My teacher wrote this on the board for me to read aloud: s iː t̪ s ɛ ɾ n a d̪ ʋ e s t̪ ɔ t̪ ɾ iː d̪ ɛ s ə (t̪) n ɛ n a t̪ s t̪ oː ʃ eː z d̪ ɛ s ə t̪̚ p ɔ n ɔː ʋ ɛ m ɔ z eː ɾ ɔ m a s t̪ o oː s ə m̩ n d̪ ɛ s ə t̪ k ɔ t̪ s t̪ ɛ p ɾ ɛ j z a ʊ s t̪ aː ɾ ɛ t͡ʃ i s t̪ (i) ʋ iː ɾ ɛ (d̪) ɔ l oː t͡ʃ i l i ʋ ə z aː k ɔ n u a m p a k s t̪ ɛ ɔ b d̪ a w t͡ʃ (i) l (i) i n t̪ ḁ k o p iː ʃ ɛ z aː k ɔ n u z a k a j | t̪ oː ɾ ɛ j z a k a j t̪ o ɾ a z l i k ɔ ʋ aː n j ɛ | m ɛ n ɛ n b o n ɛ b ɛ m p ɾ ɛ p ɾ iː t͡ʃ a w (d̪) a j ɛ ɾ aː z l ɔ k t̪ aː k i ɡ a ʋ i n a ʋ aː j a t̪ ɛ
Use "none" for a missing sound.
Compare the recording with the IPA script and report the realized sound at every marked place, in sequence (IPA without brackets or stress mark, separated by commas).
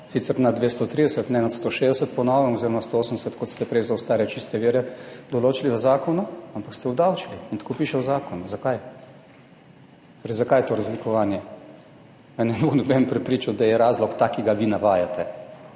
t̪, ɛ, d̪, i, i, d̪